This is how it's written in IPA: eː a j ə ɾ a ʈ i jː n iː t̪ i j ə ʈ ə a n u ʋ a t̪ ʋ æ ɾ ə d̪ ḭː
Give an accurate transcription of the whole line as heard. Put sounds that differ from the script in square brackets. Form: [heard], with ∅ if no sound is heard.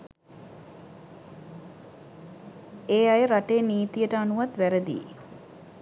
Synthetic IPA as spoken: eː a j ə ɾ a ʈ [e] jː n iː t̪ i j ə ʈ ə a n u ʋ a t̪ ʋ æ ɾ ə d̪ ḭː